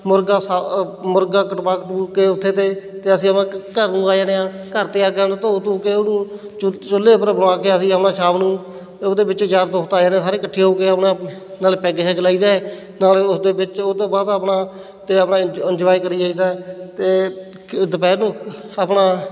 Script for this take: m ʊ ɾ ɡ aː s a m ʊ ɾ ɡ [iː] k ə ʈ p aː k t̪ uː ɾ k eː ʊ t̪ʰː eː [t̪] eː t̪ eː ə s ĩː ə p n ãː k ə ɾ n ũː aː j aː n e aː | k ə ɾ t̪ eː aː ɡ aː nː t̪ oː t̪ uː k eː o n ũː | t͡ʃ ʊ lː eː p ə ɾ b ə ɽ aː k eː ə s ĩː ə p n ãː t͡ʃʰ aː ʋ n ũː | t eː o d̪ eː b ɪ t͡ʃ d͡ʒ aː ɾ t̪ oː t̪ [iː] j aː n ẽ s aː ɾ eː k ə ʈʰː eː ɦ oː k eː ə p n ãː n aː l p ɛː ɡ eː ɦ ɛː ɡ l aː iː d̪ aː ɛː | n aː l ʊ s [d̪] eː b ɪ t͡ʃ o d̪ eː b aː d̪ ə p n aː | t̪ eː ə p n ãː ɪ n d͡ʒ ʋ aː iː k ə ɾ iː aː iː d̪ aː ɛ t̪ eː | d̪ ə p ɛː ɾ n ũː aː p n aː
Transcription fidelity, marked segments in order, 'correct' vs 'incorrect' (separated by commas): incorrect, correct, incorrect, correct